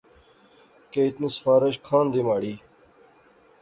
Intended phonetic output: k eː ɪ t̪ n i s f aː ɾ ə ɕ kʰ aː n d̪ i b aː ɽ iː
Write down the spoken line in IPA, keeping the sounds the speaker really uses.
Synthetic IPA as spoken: k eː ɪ t̪ n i s f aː ɾ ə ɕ kʰ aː n d̪ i m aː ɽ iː